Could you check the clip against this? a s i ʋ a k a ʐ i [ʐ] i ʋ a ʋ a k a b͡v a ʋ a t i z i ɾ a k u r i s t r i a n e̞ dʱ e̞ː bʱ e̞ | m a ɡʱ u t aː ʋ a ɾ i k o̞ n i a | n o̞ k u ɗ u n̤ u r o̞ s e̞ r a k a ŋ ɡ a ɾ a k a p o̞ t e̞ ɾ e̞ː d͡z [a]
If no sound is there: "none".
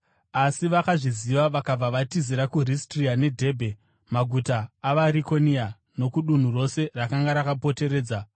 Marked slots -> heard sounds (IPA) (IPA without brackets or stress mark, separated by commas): z, a